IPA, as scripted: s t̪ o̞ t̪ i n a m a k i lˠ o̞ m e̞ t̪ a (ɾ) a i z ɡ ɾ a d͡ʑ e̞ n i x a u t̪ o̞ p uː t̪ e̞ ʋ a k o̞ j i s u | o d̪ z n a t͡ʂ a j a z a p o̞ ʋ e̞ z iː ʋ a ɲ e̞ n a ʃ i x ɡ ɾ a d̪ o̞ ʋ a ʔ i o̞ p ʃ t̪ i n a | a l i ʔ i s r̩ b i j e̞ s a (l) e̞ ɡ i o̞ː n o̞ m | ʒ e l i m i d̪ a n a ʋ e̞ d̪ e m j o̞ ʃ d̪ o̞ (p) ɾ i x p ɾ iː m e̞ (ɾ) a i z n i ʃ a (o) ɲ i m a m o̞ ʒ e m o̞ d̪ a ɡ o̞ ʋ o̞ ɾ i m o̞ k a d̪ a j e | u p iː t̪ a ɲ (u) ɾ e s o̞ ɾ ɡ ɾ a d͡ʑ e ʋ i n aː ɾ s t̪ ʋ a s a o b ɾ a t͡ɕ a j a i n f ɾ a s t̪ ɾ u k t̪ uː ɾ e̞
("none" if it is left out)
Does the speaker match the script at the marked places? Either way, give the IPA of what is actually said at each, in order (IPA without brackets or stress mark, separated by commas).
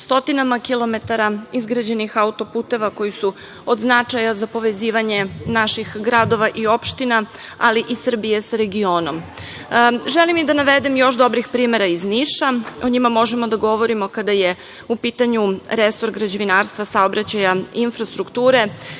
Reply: ɾ, ɾ, b, ɾ, o, u